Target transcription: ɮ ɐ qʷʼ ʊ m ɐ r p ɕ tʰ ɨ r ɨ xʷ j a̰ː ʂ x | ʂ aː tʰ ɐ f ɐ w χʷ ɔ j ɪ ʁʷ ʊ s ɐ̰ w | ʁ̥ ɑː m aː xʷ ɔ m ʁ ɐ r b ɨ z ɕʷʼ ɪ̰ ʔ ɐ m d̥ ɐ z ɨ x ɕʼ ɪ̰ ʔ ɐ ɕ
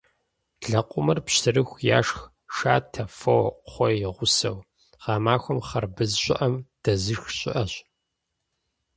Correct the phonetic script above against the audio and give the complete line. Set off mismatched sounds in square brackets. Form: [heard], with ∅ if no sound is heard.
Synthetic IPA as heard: ɮ ɐ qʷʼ ʊ m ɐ r p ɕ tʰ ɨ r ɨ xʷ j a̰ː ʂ x | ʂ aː tʰ ɐ f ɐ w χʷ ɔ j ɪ ʁʷ ʊ s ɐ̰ w | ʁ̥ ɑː m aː xʷ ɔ m [χ] ɐ r b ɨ z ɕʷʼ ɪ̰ ʔ ɐ m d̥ ɐ z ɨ x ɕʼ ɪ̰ ʔ ɐ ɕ